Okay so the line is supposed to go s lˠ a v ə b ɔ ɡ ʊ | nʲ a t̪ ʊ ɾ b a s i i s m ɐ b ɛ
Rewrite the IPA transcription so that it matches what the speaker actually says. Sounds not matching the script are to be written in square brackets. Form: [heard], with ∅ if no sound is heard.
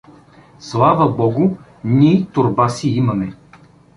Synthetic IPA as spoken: s lˠ a v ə b ɔ ɡ ʊ | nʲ [i] t̪ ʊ ɾ b a s i i [∅] m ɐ [m] ɛ